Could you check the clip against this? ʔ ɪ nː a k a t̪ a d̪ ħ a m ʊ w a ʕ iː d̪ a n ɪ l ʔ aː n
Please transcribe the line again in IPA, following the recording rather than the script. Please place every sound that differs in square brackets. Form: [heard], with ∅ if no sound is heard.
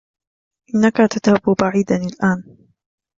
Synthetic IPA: ʔ ɪ nː a k a t̪ a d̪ [h] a [b] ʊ [b] a ʕ iː d̪ a n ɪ l ʔ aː n